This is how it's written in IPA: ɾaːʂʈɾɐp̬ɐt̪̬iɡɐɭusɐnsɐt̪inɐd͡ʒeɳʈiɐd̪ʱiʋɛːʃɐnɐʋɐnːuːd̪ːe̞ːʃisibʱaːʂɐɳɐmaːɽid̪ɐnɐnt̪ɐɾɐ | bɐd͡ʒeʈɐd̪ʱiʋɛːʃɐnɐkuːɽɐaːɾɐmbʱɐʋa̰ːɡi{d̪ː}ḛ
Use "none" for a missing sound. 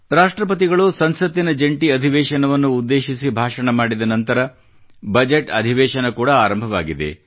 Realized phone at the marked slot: d̪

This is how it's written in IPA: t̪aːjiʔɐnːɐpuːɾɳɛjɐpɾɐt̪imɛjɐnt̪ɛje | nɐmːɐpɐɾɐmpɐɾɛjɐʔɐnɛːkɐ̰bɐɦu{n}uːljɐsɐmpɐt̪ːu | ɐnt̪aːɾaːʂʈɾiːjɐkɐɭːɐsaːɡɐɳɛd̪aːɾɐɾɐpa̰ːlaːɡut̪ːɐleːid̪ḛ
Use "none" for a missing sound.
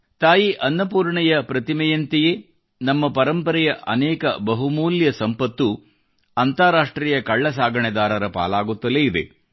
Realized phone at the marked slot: m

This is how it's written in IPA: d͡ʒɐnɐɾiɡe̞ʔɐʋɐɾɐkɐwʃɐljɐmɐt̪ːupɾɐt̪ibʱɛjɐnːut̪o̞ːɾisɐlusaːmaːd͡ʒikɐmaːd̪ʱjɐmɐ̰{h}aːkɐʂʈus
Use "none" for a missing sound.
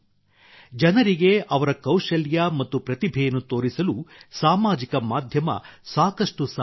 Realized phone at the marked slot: s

